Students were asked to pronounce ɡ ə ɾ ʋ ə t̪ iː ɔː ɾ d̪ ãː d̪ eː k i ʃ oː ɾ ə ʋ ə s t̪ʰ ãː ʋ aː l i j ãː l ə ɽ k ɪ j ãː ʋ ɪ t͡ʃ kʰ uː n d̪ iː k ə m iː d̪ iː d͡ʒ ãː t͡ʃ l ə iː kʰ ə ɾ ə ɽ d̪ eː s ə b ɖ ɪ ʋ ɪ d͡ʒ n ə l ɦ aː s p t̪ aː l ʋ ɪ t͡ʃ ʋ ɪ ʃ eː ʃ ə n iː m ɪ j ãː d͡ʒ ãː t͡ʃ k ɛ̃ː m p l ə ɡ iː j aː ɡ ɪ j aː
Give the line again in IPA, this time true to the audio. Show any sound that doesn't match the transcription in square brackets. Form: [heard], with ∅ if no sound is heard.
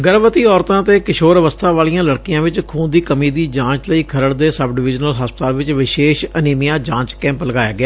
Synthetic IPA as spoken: ɡ ə ɾ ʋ ə t̪ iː ɔː ɾ [t̪] ãː [t̪] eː k [ɪ] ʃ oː ɾ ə ʋ ə s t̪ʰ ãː ʋ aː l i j ãː l ə ɽ k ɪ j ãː ʋ ɪ t͡ʃ kʰ uː n d̪ iː k ə m iː d̪ iː d͡ʒ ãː t͡ʃ l ə iː kʰ ə ɾ ə ɽ d̪ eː s ə b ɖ ɪ ʋ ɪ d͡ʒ n ə l ɦ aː s p t̪ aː l ʋ ɪ t͡ʃ ʋ ɪ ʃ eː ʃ ə n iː m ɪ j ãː d͡ʒ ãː t͡ʃ k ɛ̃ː m p l ə ɡ [aː] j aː ɡ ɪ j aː